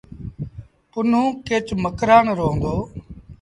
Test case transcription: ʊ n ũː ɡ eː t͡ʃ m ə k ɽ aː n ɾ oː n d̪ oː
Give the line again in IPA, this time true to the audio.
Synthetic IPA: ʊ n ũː k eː t͡ʃ m ə k ɾ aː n ɾ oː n d̪ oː

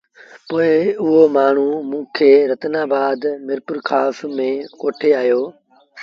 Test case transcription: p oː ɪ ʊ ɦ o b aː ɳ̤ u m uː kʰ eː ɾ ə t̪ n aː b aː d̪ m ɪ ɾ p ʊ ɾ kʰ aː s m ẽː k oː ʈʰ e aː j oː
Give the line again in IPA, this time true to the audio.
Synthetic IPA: p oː ɪ ʊ ɦ o m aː ɳ̤ u m ũː kʰ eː ɾ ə t̪ n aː b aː d̪ m ɪ ɾ p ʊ ɾ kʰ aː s m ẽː k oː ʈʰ e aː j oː

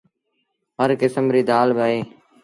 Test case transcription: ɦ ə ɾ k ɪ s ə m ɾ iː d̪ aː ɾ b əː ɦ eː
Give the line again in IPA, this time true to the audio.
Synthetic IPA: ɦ ə ɾ k ɪ s ə m ɾ iː d̪ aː l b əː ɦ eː

